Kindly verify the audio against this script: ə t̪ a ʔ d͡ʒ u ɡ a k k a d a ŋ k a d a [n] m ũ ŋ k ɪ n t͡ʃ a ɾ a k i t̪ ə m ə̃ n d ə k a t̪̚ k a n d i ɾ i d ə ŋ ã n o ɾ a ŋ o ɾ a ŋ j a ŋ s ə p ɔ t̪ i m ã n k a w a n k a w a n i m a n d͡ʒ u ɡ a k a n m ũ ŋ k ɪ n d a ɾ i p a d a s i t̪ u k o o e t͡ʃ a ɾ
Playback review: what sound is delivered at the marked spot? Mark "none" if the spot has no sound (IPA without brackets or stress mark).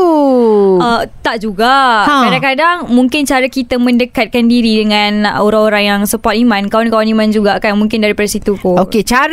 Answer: ŋ